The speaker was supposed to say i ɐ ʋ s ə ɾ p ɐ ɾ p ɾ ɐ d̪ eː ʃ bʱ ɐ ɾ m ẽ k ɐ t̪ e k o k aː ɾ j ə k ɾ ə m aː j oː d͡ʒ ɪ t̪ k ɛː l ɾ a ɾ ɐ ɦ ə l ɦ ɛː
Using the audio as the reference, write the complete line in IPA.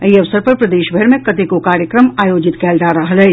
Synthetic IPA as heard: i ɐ ʋ s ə ɾ p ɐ ɾ p ɾ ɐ d̪ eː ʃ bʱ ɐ ɾ m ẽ k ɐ t̪ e k o k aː ɾ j ə k ɾ ə m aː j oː d͡ʒ ɪ t̪ k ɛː l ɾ a ɾ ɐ ɦ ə l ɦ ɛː